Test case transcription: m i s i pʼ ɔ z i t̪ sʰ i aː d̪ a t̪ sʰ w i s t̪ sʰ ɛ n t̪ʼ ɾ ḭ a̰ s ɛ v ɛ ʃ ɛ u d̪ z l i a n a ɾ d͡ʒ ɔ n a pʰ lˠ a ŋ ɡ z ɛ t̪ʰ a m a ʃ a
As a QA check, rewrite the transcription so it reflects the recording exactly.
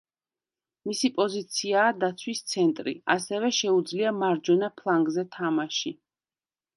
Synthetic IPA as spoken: m i s i pʼ ɔ z i t̪ sʰ i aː d̪ a t̪ sʰ w i s t̪ sʰ ɛ n t̪ʼ ɾ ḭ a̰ s ɛ v ɛ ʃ ɛ u d̪ z l i a m a ɾ d͡ʒ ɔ n a pʰ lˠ a ŋ ɡ z ɛ t̪ʰ a m a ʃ i

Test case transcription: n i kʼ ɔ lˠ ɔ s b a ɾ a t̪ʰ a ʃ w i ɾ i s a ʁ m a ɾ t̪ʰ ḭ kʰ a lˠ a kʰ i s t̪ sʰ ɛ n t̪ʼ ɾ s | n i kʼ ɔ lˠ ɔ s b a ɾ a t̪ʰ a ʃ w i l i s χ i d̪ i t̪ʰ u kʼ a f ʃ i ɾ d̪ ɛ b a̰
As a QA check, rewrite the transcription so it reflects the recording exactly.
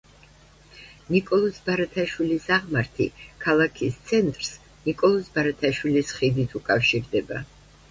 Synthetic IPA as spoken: n i kʼ ɔ lˠ ɔ s b a ɾ a t̪ʰ a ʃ w i l i s a ʁ m a ɾ t̪ʰ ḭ kʰ a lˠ a kʰ i s t̪ sʰ ɛ n t̪ʼ ɾ s | n i kʼ ɔ lˠ ɔ s b a ɾ a t̪ʰ a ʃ w i l i s χ i d̪ i t̪ʰ u kʼ a f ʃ i ɾ d̪ ɛ b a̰

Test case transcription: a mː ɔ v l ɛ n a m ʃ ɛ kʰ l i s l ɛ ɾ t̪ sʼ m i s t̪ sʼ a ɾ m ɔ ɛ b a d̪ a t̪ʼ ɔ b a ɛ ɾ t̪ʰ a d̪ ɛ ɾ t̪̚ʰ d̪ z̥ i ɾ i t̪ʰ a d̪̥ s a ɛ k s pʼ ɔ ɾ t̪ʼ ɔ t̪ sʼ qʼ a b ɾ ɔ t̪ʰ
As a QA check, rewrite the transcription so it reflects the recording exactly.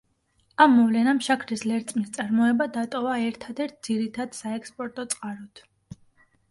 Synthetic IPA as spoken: a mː ɔ v l ɛ n a m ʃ a kʰ ɾ i s l ɛ ɾ t̪ sʼ m i s t̪ sʼ a ɾ m ɔ ɛ b a d̪ a t̪ʼ ɔ v a ɛ ɾ t̪ʰ a d̪ ɛ ɾ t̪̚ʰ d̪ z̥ i ɾ i t̪ʰ a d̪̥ s a ɛ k s pʼ ɔ ɾ t̪ʼ ɔ t̪ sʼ qʼ a ɾ ɔ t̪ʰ

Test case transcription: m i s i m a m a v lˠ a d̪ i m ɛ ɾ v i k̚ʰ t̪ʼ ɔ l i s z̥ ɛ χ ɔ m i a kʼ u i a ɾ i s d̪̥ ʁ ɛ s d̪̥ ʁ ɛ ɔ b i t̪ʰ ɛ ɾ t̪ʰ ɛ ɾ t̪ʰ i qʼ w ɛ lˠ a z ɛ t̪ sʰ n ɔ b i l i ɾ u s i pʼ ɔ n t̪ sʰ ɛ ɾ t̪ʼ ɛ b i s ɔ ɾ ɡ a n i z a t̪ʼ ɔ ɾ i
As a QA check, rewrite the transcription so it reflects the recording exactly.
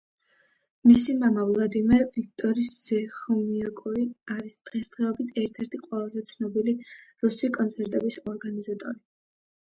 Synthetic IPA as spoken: m i s i m a m a v lˠ a d̪ i m ɛ ɾ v i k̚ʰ t̪ʼ ɔ ɾ i s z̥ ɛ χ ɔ m i a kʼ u i a ɾ i s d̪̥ ʁ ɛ s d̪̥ ʁ ɛ ɔ b i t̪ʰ ɛ ɾ t̪ʰ ɛ ɾ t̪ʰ i qʼ w ɛ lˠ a z ɛ t̪ sʰ n ɔ b i l i ɾ u s i kʼ ɔ n t̪ sʰ ɛ ɾ t̪ʼ ɛ b i s ɔ ɾ ɡ a n i z a t̪ʼ ɔ ɾ i

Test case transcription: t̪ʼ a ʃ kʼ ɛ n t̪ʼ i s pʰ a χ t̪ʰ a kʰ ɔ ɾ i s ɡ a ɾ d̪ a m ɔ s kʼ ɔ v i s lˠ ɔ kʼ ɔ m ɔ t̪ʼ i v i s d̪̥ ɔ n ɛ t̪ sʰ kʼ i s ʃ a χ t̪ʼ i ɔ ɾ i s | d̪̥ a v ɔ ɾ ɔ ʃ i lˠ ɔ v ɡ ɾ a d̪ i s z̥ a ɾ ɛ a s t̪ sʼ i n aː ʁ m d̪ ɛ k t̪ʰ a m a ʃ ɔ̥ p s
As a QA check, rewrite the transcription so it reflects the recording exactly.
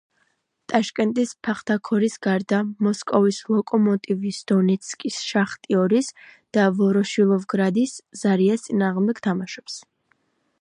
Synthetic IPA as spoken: t̪ʼ a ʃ kʼ ɛ n t̪ʼ i s pʰ a χ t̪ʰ a kʰ ɔ ɾ i s ɡ a ɾ d̪ a m ɔ s kʼ ɔ v i s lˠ ɔ kʼ ɔ m ɔ t̪ʼ i v i s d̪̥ ɔ n ɛ t̪ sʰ kʼ i s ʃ a χ t̪ʼ i ɔ ɾ i s | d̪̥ a v ɔ ɾ ɔ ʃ i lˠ ɔ v ɡ ɾ a d̪ i s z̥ a ɾ i a s t̪ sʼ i n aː ʁ m d̪ ɛ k t̪ʰ a m a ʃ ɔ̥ p s

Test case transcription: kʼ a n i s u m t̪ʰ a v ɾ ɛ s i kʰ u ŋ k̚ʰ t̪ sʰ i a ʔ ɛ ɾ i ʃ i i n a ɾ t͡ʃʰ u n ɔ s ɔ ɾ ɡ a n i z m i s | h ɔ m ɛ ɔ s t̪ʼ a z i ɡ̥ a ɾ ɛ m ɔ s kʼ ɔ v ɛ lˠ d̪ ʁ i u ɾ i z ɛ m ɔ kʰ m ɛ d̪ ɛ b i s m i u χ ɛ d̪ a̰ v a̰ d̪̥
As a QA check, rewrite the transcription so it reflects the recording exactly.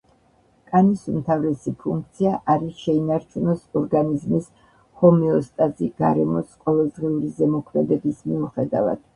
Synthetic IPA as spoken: kʼ a n i s u m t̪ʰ a v ɾ ɛ s i pʰ u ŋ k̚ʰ t̪ sʰ i a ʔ a ɾ i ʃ ɛ i n a ɾ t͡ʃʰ u n ɔ s ɔ ɾ ɡ a n i z m i s | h ɔ m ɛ ɔ s t̪ʼ a z i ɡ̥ a ɾ ɛ m ɔ s qʼ ɔ v ɛ lˠ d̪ ʁ i u ɾ i z ɛ m ɔ kʰ m ɛ d̪ ɛ b i s m i u χ ɛ d̪ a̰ v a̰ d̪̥

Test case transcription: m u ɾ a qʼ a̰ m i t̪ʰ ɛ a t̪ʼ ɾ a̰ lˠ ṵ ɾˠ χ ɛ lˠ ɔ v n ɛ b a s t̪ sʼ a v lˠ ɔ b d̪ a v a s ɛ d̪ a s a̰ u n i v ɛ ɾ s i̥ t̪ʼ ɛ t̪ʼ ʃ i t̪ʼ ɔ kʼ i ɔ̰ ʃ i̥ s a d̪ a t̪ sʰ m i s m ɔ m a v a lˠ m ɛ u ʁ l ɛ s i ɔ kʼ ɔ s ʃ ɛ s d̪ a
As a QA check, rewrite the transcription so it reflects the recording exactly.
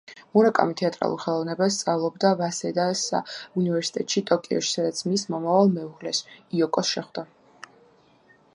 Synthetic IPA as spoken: m u ɾ a kʼ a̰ m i t̪ʰ ɛ a t̪ʼ ɾ a̰ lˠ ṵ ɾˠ χ ɛ lˠ ɔ v n ɛ b a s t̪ sʼ a v lˠ ɔ b d̪ a v a s ɛ d̪ a s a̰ u n i v ɛ ɾ s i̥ t̪ʼ ɛ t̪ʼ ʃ i t̪ʼ ɔ kʼ i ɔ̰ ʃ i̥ s a d̪ a t̪ sʰ m i s m ɔ m a v a lˠ m ɛ u ʁ l ɛ s i ɔ kʼ ɔ s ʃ ɛ χ d̪ a

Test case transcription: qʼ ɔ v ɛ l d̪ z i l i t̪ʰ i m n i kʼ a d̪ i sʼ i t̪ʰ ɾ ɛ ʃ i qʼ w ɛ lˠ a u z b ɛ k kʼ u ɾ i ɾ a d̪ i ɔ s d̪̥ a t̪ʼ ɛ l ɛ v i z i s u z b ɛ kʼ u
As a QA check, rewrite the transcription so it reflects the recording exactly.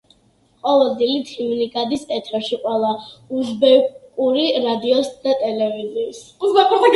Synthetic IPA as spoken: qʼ ɔ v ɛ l d̪ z i l i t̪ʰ i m n i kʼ a d̪ i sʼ ɛ t̪ʰ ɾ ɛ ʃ i qʼ w ɛ lˠ a u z b ɛ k kʼ u ɾ i ɾ a d̪ i ɔ s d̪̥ a t̪ʼ ɛ l ɛ v i z i s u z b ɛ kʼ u

